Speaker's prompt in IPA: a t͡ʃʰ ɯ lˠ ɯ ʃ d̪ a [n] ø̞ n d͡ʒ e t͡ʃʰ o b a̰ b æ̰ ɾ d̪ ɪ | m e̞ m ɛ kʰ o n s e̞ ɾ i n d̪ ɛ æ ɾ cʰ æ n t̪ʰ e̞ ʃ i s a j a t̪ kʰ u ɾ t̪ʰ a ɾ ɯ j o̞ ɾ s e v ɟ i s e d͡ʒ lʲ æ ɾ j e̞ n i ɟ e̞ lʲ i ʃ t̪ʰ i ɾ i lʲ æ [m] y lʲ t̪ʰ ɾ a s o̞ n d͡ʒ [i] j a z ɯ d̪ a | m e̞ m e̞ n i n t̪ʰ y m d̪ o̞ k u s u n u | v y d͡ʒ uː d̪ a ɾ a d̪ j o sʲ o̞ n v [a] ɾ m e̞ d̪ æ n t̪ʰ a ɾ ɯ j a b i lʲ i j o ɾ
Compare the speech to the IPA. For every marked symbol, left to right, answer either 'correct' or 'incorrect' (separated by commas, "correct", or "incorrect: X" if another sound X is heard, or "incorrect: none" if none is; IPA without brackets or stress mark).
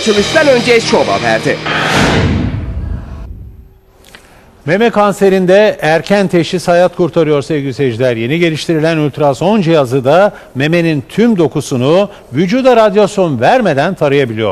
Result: correct, incorrect: n, correct, incorrect: æ